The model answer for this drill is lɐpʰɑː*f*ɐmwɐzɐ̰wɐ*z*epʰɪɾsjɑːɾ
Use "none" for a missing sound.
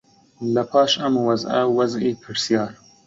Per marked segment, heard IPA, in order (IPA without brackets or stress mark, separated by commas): ʃ, z